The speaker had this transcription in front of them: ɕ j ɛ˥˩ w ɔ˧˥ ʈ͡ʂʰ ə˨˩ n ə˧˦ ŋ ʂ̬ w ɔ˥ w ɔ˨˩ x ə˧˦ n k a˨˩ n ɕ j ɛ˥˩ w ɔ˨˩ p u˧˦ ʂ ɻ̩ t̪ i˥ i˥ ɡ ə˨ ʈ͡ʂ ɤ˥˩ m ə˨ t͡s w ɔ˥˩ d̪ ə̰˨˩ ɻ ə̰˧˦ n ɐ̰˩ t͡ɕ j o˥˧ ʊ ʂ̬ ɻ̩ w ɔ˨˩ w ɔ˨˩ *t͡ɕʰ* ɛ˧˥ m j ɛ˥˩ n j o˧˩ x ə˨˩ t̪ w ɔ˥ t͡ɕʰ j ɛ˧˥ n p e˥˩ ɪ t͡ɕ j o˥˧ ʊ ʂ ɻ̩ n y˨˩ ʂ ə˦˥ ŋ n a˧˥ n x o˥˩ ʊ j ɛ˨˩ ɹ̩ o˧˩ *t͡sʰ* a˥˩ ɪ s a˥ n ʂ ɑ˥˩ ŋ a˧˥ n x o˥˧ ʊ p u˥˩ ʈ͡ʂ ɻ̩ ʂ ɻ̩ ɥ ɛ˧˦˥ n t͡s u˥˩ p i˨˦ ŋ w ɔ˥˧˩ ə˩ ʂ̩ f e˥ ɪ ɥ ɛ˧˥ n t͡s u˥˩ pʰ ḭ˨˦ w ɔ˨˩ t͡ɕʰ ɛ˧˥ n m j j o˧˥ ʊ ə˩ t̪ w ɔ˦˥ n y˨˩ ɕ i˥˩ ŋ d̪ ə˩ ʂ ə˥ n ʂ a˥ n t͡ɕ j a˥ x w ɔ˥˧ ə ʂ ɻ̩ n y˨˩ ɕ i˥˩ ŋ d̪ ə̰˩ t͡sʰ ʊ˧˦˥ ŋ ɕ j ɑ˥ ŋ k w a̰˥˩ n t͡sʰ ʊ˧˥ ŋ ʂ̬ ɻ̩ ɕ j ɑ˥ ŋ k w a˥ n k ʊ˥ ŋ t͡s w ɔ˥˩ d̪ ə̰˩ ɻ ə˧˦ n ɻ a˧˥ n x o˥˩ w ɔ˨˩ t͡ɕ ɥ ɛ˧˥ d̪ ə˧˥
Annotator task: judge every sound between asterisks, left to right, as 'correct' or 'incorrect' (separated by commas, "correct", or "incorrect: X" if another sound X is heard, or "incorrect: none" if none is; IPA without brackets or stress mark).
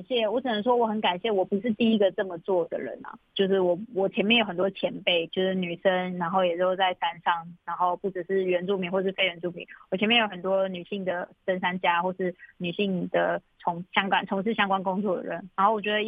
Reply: correct, incorrect: t͡s